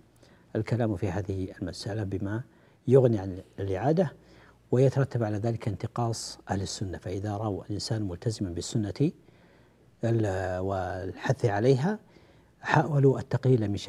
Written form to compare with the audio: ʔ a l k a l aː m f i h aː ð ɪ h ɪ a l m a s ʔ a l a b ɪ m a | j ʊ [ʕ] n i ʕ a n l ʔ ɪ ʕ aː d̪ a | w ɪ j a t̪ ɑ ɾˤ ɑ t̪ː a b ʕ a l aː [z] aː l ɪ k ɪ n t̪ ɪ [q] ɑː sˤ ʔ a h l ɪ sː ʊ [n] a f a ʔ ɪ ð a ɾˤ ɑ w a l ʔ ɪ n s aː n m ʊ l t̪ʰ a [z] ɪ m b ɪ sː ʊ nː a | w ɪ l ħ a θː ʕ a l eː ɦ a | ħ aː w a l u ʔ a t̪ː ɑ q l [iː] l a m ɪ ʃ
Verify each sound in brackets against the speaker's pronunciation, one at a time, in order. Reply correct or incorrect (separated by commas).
incorrect, incorrect, correct, incorrect, correct, correct